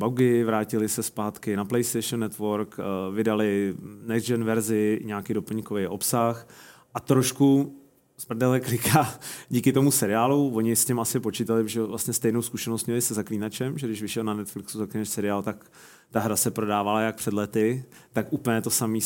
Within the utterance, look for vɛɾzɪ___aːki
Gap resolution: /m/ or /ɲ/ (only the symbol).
ɲ